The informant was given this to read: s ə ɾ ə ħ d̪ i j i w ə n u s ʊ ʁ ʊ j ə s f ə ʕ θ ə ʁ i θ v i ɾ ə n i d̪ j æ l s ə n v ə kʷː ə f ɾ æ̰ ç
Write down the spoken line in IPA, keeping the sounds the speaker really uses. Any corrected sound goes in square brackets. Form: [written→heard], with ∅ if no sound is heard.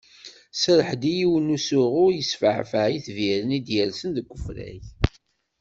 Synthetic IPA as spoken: s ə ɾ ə ħ d̪ i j i w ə n u s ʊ ʁ ʊ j ə s f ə ʕ [θ→f] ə [ʁ→ʕ] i θ v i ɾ ə n i d̪ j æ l s ə n [v→ð] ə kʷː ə f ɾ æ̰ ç

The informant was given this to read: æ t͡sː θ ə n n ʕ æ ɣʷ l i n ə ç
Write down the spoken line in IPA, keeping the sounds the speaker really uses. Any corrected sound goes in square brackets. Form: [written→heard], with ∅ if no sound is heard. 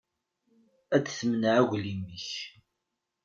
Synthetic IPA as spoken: æ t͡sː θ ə [n→m] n ʕ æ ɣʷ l i [n→m] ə ç

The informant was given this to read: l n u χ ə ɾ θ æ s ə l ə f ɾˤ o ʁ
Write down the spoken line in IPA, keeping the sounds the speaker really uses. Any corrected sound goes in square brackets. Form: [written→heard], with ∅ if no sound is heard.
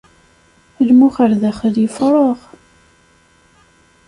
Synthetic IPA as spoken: l [n→m] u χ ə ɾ [θ→ð] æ [s→χ] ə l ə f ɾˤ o ʁ

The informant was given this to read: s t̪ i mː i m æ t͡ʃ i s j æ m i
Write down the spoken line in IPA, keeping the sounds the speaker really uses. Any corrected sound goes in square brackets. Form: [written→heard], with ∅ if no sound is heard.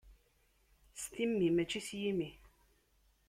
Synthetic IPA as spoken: s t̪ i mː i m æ t͡ʃ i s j [æ→i] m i

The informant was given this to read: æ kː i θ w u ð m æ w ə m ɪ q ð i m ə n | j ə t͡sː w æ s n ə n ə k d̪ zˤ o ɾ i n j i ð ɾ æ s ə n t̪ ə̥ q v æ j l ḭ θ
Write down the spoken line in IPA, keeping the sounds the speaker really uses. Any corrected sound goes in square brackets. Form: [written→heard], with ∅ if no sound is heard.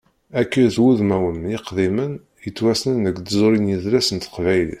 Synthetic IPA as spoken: æ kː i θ w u ð m æ w ə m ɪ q ð i m ə n | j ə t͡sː w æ s n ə n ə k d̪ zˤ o ɾ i n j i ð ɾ æ s ə n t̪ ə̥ q v æ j l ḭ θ

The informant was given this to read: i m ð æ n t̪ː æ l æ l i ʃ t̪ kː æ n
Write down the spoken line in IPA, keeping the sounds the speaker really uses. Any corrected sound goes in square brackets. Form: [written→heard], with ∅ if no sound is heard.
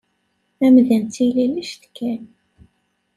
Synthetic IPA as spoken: [i→æ] m ð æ n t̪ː [æ→i] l [æ→i] l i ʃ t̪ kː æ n

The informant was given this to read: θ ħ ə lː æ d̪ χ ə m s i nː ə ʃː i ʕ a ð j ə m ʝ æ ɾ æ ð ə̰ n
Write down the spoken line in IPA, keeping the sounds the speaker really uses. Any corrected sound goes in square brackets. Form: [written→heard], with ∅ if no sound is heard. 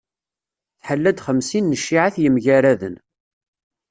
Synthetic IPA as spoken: θ ħ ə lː æ d̪ χ ə m s i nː ə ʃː i ʕ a [ð→θ] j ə m ʝ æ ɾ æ ð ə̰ n

